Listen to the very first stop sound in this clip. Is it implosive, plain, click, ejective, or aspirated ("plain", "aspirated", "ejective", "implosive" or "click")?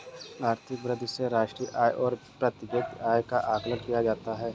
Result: aspirated